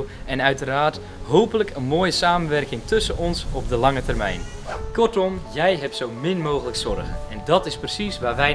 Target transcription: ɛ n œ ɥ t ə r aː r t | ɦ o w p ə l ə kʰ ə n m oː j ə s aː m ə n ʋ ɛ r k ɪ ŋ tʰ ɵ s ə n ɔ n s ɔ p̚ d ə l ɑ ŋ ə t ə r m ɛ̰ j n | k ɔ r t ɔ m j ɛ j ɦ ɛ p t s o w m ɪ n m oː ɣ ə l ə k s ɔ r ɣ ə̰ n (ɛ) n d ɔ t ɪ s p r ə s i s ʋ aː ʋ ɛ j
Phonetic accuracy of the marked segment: correct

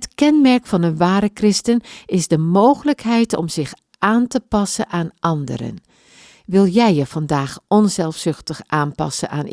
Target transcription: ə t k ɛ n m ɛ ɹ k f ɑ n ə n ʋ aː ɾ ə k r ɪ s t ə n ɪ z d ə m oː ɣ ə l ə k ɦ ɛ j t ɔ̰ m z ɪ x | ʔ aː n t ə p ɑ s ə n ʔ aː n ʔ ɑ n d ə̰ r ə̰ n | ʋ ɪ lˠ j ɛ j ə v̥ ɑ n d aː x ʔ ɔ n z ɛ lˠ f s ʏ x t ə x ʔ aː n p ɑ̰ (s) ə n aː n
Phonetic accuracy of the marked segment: correct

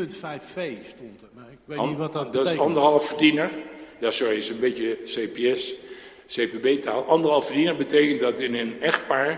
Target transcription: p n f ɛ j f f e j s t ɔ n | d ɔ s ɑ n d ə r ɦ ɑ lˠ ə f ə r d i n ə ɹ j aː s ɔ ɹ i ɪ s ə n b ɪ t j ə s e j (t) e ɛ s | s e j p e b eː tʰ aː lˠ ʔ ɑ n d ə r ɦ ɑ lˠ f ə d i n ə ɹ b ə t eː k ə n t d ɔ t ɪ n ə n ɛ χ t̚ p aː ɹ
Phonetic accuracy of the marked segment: incorrect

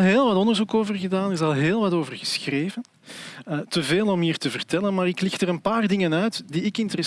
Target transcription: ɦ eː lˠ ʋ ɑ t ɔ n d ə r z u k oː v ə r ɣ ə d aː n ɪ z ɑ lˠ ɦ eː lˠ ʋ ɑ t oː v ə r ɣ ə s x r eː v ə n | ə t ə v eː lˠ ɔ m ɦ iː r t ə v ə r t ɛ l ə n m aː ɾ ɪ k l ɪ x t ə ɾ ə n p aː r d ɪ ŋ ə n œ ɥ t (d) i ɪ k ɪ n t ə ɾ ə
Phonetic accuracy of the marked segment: correct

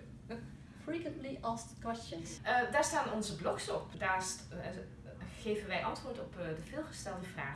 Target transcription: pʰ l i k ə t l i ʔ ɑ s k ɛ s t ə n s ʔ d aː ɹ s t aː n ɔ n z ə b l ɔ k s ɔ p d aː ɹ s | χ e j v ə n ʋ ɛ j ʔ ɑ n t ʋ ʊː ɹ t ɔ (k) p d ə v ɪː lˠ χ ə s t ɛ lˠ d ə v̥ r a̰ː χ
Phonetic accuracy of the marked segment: incorrect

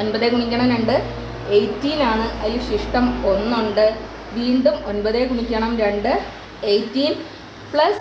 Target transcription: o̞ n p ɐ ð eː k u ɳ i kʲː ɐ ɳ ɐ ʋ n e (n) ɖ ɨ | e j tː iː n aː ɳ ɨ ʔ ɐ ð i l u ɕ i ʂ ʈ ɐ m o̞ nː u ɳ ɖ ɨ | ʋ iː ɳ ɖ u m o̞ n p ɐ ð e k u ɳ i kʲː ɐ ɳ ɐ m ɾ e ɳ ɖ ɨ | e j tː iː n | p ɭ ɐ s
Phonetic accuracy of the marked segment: incorrect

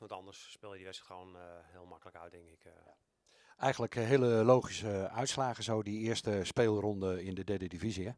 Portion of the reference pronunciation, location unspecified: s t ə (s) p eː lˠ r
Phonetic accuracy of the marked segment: correct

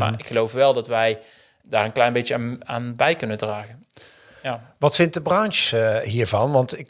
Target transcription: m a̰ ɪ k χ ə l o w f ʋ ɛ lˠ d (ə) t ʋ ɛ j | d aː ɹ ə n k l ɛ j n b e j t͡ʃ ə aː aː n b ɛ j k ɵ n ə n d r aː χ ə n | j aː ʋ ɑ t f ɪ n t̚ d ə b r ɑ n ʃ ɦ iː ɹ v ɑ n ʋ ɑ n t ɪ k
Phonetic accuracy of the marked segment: incorrect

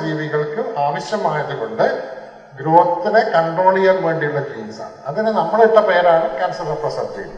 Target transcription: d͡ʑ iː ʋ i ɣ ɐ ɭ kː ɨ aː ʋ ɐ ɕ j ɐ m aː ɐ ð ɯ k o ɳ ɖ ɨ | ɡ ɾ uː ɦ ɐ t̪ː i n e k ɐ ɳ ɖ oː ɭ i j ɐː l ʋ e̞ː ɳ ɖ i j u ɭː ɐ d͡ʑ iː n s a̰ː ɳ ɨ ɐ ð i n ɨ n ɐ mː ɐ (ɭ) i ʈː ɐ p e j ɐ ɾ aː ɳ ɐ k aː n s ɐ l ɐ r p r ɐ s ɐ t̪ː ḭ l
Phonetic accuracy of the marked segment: correct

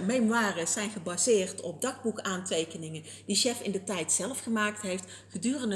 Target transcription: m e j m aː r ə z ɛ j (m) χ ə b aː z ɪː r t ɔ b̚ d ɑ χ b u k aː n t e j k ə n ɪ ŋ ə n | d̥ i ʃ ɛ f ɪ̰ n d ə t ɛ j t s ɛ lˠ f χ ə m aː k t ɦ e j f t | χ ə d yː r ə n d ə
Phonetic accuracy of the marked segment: incorrect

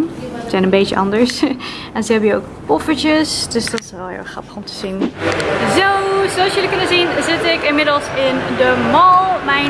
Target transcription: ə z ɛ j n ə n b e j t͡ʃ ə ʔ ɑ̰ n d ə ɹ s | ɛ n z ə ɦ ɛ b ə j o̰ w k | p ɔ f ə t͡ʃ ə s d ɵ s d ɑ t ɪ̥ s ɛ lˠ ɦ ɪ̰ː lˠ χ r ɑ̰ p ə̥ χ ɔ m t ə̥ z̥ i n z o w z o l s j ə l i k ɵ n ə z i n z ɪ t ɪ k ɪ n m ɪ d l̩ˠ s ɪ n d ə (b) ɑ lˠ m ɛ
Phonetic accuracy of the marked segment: incorrect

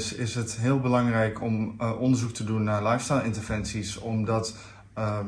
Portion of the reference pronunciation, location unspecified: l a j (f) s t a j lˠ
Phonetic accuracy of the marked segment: correct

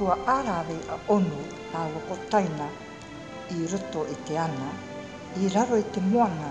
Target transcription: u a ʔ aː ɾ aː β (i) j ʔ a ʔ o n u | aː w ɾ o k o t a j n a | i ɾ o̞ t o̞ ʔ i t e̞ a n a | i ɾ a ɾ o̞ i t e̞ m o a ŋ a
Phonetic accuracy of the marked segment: incorrect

